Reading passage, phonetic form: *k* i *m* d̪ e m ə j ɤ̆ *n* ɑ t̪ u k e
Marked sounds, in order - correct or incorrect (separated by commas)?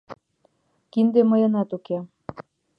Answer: correct, incorrect, correct